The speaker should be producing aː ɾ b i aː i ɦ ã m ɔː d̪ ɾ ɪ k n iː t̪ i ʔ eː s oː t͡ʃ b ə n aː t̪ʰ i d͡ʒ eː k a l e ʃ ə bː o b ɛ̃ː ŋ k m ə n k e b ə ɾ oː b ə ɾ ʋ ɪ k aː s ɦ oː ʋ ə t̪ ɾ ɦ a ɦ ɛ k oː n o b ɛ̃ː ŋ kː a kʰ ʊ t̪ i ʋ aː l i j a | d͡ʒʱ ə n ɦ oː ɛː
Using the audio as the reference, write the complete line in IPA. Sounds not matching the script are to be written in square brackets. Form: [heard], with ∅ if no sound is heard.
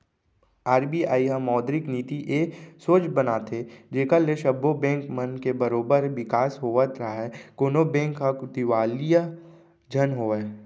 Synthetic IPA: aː ɾ b i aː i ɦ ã m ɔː d̪ ɾ ɪ k n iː t̪ i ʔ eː s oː t͡ʃ b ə n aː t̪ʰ [e] d͡ʒ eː k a l e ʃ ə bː o b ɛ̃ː ŋ k m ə n k e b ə ɾ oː b ə ɾ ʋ ɪ k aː s ɦ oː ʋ ə t̪ ɾ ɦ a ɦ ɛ k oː n o b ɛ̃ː ŋ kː a [k] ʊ t̪ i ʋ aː l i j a | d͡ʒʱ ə n ɦ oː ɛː